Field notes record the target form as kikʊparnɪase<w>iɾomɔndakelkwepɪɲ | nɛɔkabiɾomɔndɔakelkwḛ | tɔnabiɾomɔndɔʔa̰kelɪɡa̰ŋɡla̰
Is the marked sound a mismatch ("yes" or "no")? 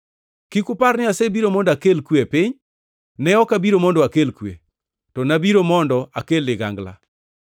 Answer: yes